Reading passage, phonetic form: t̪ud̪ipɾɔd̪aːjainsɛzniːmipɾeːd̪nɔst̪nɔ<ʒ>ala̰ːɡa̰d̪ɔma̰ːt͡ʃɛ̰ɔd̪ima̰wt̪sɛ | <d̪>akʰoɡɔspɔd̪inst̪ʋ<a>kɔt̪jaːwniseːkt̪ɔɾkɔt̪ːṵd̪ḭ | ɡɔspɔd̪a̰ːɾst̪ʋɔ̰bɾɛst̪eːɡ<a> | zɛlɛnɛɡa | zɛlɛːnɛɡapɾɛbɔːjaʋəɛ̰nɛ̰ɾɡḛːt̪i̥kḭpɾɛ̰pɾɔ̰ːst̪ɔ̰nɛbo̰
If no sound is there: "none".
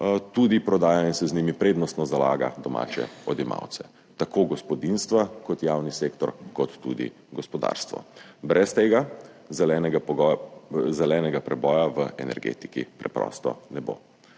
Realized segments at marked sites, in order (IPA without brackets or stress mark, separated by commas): z, t̪, a, a